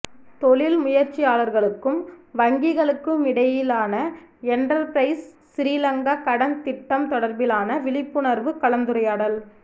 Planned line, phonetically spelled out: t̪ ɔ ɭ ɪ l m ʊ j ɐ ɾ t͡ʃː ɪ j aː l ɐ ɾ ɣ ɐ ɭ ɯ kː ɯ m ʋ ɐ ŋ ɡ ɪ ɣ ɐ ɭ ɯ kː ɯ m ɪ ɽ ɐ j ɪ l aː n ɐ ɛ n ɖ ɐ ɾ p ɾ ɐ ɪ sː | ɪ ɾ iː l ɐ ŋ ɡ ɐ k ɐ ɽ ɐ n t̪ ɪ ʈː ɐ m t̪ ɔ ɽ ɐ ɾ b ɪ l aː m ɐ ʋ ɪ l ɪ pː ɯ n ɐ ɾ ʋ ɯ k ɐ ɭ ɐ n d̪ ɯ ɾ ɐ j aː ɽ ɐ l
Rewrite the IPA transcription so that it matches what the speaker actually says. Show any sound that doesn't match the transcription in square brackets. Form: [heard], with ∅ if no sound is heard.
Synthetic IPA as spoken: t̪ ɔ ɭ ɪ l m ʊ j ɐ ɾ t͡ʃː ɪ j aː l ɐ ɾ ɣ ɐ ɭ ɯ kː ɯ m ʋ ɐ ŋ ɡ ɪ ɣ ɐ ɭ ɯ kː ɯ m ɪ ɽ ɐ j ɪ l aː n ɐ ɛ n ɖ ɐ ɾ p ɾ ɐ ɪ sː | ɪ ɾ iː l ɐ ŋ ɡ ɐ k ɐ ɽ ɐ n t̪ ɪ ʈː ɐ m t̪ ɔ ɽ ɐ ɾ b ɪ l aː [n] ɐ ʋ ɪ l ɪ pː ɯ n ɐ ɾ ʋ ɯ k ɐ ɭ ɐ n d̪ ɯ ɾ ɐ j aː ɽ ɐ l